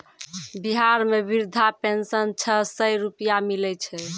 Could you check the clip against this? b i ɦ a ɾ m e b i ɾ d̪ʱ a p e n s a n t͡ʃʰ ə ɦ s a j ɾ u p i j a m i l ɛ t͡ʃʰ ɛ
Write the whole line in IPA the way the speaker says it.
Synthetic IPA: b i ɦ a ɾ m e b i ɾ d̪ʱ a p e n s ə n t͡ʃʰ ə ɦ s ə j ɾ u p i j a m i l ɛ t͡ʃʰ ɛ

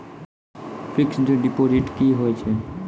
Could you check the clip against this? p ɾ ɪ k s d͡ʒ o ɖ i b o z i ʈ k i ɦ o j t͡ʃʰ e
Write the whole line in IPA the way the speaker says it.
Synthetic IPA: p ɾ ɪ k s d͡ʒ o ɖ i p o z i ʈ k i ɦ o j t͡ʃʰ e

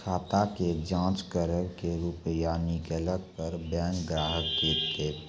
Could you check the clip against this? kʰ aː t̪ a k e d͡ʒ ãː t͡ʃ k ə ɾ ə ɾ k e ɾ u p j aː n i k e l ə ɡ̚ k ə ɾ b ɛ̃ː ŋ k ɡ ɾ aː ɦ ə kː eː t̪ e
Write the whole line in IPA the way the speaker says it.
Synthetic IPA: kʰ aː t̪ a k e d͡ʒ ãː t͡ʃ k ə ɾ ə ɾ k e ɾ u p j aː n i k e l ə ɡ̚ p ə ɾ b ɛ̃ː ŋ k ɡ ɾ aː ɦ ə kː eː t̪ e

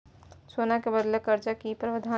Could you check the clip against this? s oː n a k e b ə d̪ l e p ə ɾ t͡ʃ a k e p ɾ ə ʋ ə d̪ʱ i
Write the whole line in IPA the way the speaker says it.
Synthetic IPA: s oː n a k e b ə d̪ l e k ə ɾ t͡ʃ a k i p ɾ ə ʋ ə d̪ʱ a

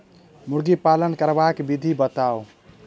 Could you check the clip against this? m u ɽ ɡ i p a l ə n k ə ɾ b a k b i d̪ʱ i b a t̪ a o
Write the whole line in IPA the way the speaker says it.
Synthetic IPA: m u ɾ ɡ i p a l ə n k ə ɾ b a k b i d̪ʱ i b ə t̪ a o

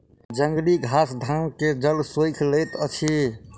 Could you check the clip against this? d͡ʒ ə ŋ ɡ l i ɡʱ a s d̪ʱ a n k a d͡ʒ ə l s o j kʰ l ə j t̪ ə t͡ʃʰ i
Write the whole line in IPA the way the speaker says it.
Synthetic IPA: d͡ʒ ə ŋ ɡ l i ɡʱ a s d̪ʱ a m k e d͡ʒ ə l s o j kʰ l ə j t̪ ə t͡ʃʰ i

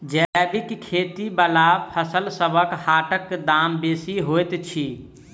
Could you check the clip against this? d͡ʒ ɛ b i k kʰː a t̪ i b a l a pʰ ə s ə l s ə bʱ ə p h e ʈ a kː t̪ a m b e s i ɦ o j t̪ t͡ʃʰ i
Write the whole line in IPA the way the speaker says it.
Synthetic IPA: d͡ʒ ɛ b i k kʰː e t̪ i b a l a pʰ ə s ə l s ə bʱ ə k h a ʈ ə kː d̪ a m b e s i ɦ o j t̪ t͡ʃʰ i

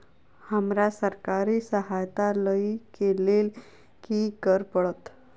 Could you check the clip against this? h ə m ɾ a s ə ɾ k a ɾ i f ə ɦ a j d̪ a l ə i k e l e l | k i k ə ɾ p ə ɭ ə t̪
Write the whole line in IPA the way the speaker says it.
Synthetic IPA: h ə m ɾ a s ə ɾ k a ɾ i s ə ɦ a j t̪ a l ə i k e l e l | k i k ə ɾ p ə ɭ ə t̪

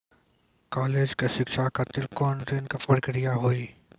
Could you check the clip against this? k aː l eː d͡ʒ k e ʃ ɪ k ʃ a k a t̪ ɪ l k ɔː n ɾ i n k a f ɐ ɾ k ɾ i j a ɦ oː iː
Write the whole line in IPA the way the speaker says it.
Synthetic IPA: k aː l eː d͡ʒ k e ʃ ɪ k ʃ a k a t̪ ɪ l k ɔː n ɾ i n k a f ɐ ɾ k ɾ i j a ɦ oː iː

